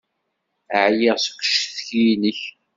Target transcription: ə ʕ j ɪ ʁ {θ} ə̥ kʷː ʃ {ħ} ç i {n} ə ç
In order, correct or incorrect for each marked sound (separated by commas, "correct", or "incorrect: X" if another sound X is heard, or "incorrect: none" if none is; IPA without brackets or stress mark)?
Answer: incorrect: s, incorrect: θ, correct